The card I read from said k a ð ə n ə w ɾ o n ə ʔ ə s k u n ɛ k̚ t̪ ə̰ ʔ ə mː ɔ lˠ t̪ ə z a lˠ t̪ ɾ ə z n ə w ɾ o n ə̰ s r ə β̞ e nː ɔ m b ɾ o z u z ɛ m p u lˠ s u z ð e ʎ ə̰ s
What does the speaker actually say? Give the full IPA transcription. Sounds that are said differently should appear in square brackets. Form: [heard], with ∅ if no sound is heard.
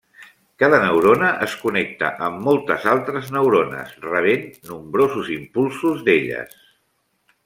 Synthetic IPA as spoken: k a ð ə n ə w ɾ o n ə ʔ ə s k u n ɛ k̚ t̪ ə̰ ʔ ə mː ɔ lˠ t̪ ə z a lˠ t̪ ɾ ə z n ə w ɾ o n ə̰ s r ə β̞ e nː [u] m b ɾ o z u z [i] m p u lˠ s u z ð e ʎ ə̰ s